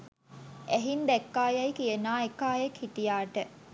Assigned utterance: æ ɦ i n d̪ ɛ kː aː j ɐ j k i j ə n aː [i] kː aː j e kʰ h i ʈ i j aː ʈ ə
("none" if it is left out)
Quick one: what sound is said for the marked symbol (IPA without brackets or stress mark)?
e